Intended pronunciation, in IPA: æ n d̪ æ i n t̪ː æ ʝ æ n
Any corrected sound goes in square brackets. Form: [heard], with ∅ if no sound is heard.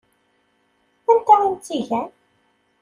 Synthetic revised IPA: æ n [t̪] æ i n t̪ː [i] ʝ æ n